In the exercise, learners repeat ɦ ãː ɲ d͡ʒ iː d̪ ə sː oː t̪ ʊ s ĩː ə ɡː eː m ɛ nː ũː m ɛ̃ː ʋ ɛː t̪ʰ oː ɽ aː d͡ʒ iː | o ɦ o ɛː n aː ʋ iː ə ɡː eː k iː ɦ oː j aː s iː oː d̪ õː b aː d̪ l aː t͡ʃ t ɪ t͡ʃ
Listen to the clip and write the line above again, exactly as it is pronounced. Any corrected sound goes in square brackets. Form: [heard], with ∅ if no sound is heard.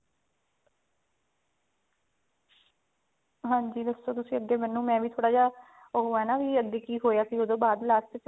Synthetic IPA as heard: ɦ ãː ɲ d͡ʒ iː d̪ ə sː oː t̪ ʊ s ĩː ə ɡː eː m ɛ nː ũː m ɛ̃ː ʋ [iː] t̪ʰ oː ɽ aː d͡ʒ [aː] | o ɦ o ɛː n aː ʋ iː ə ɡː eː k iː ɦ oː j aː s iː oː d̪ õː b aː d̪ l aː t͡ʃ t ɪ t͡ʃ